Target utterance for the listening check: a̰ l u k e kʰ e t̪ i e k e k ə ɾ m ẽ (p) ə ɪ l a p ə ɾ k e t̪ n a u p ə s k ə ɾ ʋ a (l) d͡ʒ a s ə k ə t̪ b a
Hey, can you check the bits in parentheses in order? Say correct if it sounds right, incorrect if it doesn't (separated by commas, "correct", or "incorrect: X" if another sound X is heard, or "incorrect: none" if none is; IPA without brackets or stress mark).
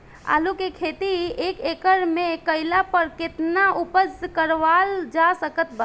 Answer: incorrect: k, correct